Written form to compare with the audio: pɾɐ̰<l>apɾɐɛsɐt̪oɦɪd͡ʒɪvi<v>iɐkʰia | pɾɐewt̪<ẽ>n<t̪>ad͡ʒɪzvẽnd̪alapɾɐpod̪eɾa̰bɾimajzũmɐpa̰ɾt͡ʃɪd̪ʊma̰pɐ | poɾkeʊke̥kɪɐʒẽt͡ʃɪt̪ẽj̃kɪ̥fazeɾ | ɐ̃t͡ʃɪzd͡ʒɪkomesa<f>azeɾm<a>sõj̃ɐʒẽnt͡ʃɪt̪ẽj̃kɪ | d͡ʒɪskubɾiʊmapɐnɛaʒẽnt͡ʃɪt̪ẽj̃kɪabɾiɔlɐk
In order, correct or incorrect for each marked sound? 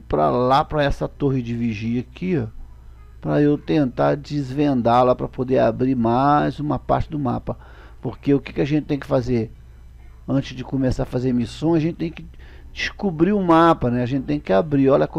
correct, incorrect: ʒ, correct, correct, correct, incorrect: i

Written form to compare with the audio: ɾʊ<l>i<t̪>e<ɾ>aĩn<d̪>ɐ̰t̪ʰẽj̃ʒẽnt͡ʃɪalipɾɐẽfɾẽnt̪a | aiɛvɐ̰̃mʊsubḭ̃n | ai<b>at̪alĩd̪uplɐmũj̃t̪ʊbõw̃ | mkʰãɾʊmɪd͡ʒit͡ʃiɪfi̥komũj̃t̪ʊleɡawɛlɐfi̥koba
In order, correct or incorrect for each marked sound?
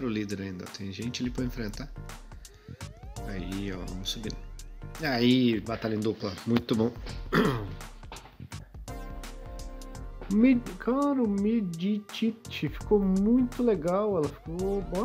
correct, incorrect: d̪, correct, correct, correct

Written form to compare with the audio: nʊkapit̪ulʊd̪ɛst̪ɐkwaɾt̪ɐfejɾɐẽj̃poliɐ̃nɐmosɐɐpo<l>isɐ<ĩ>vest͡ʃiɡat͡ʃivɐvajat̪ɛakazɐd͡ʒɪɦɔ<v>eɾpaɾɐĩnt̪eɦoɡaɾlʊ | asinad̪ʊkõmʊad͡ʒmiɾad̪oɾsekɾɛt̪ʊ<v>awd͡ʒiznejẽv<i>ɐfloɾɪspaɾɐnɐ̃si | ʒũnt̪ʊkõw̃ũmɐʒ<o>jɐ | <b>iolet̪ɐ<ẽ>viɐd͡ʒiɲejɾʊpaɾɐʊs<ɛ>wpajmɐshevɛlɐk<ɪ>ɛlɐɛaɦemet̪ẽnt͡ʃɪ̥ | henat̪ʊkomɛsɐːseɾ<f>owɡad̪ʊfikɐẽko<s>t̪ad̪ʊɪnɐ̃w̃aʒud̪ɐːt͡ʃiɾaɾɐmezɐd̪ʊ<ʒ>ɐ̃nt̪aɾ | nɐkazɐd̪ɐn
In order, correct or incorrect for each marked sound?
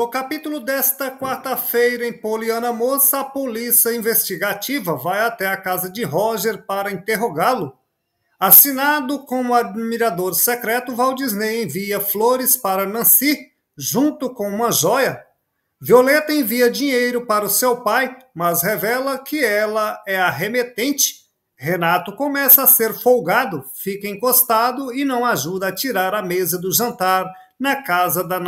correct, correct, incorrect: ʒ, correct, correct, incorrect: ɔ, incorrect: v, correct, incorrect: e, correct, correct, correct, correct

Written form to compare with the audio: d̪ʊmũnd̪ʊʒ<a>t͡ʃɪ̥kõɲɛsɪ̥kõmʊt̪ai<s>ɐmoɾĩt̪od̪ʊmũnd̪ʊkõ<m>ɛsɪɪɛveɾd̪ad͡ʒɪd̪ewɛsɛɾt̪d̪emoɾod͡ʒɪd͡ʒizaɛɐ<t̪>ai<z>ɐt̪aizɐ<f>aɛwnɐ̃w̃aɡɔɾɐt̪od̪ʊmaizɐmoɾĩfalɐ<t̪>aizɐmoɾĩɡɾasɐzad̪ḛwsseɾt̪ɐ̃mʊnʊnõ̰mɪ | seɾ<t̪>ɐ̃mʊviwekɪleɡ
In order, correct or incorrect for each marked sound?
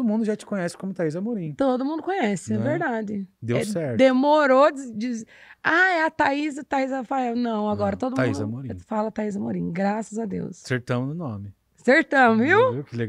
correct, incorrect: z, incorrect: ɲ, correct, correct, correct, correct, correct

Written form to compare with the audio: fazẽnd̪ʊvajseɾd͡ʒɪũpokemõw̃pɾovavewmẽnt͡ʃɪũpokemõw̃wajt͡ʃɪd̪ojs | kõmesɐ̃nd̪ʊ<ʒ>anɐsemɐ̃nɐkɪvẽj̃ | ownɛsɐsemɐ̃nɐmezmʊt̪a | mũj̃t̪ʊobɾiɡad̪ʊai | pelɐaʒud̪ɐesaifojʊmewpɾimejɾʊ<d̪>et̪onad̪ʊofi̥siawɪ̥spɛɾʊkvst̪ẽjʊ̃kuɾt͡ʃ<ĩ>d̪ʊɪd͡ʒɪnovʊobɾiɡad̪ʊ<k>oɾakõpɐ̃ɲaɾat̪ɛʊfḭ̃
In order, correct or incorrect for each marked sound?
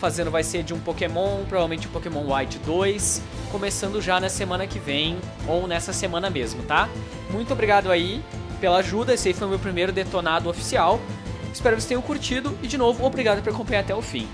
correct, correct, incorrect: i, incorrect: p

